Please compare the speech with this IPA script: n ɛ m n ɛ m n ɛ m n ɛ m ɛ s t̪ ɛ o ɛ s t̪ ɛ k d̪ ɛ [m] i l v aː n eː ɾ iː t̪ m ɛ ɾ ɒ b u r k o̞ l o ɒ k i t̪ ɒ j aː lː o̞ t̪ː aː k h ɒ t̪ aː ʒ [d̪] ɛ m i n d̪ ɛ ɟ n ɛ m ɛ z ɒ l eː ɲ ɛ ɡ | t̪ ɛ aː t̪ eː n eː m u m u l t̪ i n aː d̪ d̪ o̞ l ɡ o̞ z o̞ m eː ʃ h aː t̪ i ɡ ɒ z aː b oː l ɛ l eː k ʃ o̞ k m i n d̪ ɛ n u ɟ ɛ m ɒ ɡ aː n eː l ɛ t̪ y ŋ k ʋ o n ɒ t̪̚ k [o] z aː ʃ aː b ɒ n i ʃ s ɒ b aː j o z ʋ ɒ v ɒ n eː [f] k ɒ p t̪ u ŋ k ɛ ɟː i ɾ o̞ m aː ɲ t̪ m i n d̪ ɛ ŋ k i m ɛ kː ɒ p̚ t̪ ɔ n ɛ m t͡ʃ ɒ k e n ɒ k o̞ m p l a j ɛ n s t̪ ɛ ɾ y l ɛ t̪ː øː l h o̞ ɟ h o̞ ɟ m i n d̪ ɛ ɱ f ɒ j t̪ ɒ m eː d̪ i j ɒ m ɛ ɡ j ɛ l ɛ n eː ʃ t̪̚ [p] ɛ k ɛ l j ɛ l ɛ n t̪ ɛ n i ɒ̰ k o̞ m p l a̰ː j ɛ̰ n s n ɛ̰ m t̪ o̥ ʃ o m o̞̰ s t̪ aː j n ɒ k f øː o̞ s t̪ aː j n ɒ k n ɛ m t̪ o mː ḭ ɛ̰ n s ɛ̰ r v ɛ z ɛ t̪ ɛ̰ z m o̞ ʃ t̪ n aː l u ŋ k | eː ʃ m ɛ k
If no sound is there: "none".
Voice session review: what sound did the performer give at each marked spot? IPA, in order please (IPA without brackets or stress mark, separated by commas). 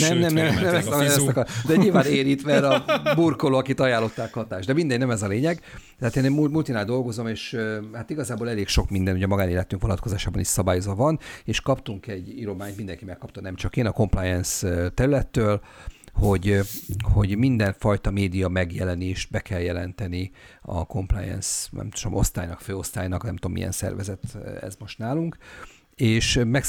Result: ɲ, d̪, o, ʃ, b